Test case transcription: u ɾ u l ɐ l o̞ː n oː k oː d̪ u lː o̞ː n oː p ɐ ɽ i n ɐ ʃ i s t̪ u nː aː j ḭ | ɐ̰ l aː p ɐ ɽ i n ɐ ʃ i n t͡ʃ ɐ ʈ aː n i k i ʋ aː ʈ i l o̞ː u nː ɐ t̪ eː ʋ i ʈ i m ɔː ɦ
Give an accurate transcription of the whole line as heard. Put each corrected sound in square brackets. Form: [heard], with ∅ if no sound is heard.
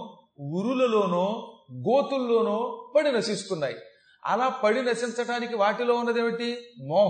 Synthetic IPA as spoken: u ɾ u l ɐ l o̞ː n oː [ɡ] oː [t̪] u lː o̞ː n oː p ɐ ɽ i n ɐ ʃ i s t̪ u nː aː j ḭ | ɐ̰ l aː p ɐ ɽ i n ɐ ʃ i n t͡ʃ ɐ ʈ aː n i k i ʋ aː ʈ i l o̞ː u nː ɐ [d̪] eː ʋ i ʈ i m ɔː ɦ